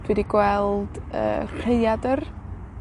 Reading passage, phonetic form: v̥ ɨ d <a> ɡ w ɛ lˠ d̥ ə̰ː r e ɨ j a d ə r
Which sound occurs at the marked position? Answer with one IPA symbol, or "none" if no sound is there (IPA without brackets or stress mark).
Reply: i